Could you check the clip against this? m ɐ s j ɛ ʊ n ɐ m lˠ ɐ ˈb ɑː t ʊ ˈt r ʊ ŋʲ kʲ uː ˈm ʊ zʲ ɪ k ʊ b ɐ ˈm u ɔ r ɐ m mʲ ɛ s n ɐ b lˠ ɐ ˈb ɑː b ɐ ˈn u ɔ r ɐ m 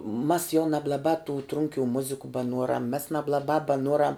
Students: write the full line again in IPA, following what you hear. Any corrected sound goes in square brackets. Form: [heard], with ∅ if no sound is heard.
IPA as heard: m ɐ s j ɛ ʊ n ɐ [b] lˠ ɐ ˈb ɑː t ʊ ˈt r ʊ ŋʲ kʲ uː ˈm ʊ zʲ ɪ k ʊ b ɐ [ˈn] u ɔ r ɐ m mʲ ɛ s n ɐ b lˠ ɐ ˈb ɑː b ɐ ˈn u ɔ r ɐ m